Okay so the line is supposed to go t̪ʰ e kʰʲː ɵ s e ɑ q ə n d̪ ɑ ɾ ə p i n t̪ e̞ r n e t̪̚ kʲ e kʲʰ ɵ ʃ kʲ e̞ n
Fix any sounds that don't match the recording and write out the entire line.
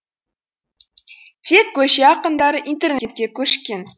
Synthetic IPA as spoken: t̪ʰ e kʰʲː ɵ ʃ e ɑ q ə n d̪ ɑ ɾ ə ʔ i n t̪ e̞ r n e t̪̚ kʲ e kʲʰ ɵ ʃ kʲ e̞ n